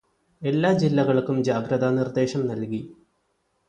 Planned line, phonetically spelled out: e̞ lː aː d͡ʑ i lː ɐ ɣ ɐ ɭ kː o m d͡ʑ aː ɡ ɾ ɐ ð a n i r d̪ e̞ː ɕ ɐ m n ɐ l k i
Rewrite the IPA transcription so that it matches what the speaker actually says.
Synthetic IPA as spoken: e̞ lː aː d͡ʑ i lː ɐ ɣ ɐ ɭ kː u m d͡ʑ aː ɡ ɾ ɐ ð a n i r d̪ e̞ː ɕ ɐ m n ɐ l k i